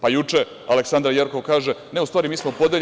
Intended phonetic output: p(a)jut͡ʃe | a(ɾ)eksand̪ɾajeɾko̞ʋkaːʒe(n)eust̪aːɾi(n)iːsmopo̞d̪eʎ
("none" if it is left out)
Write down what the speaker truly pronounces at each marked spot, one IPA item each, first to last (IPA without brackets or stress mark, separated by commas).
a, l, n, m